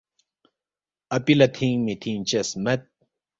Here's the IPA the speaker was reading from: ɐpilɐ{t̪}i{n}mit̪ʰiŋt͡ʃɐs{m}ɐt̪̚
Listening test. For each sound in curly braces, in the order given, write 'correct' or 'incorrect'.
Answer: incorrect: t̪ʰ, incorrect: ŋ, correct

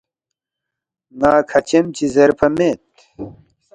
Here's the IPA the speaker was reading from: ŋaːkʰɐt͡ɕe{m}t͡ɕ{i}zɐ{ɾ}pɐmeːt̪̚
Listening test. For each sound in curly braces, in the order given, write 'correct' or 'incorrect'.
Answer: correct, correct, correct

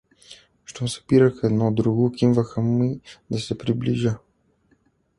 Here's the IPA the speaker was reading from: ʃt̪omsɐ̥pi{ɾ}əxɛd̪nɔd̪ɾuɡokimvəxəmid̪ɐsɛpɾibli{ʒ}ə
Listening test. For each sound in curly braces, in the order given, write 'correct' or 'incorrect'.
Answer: correct, correct

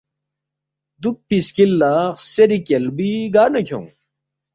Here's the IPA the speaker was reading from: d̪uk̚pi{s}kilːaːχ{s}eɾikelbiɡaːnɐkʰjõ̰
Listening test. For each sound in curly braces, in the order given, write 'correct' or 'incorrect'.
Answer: correct, correct

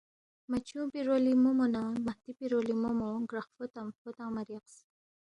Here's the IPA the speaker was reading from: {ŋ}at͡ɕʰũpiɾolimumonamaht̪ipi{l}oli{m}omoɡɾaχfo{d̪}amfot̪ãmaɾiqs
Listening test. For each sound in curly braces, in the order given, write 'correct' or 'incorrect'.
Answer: incorrect: m, incorrect: ɾ, correct, incorrect: t̪

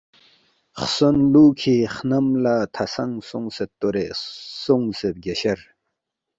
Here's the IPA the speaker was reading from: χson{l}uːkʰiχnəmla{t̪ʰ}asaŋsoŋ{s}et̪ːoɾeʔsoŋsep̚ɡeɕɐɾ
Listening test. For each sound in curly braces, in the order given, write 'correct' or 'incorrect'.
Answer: correct, correct, correct

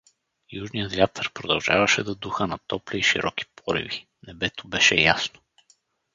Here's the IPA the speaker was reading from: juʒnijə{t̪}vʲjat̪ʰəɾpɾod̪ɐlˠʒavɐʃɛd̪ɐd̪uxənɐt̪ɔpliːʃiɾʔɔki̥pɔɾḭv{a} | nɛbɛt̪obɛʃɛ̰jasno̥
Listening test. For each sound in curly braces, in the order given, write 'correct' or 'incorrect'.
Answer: correct, incorrect: i

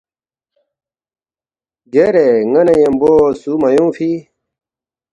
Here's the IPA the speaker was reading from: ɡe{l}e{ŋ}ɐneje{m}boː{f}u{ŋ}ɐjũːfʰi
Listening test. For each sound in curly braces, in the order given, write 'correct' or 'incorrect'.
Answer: incorrect: ɾ, correct, correct, incorrect: s, incorrect: m

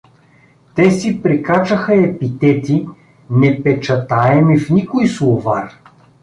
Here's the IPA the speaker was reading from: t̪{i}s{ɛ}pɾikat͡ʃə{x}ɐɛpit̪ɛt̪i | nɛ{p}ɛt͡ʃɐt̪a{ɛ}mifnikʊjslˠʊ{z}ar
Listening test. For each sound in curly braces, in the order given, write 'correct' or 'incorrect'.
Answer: incorrect: ɛ, incorrect: i, correct, correct, correct, incorrect: v

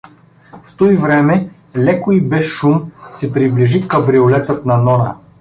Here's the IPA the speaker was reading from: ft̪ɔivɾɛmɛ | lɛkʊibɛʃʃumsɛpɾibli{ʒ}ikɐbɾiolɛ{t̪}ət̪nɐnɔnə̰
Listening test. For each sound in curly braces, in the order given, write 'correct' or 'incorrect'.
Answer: correct, correct

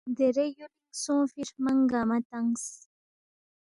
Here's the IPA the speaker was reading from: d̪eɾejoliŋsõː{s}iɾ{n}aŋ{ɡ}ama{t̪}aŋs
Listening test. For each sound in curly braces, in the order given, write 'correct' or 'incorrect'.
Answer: incorrect: f, incorrect: m, correct, correct

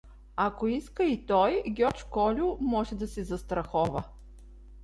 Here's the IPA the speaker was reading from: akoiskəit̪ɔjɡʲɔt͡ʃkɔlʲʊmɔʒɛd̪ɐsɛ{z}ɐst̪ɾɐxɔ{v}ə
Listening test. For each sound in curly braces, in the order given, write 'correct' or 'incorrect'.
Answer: correct, correct

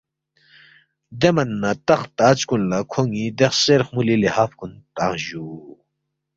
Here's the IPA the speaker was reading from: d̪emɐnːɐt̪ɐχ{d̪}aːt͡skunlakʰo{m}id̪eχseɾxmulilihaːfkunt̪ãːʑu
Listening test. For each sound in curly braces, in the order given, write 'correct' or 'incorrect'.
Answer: incorrect: t̪, incorrect: ŋ

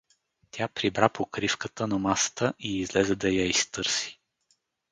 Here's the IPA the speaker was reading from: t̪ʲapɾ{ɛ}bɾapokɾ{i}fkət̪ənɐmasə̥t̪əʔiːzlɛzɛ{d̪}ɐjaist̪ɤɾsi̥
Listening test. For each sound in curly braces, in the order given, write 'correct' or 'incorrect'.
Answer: incorrect: i, correct, correct

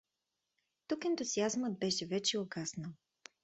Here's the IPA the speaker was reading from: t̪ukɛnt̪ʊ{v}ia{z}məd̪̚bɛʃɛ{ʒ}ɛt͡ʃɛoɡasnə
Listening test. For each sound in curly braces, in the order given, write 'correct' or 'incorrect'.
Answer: incorrect: z, correct, incorrect: v

